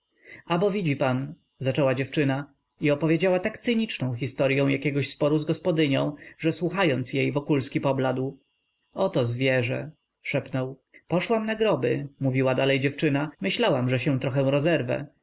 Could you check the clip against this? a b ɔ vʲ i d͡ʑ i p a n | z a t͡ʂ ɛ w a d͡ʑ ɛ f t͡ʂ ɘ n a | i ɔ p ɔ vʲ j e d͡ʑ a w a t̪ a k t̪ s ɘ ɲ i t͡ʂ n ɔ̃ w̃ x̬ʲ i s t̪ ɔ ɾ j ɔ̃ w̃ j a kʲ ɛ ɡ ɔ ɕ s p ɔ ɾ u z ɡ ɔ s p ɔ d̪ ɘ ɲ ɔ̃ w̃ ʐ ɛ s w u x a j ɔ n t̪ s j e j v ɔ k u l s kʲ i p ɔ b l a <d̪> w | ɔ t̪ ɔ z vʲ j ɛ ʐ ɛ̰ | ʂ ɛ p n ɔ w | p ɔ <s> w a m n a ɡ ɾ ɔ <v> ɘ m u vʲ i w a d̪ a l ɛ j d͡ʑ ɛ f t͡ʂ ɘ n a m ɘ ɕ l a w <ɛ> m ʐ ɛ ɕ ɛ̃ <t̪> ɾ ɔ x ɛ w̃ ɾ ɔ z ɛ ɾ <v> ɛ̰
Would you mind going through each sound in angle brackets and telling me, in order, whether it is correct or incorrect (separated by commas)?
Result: correct, incorrect, incorrect, incorrect, correct, correct